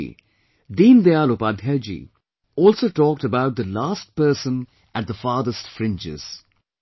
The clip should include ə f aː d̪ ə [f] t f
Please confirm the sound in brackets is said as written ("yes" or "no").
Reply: no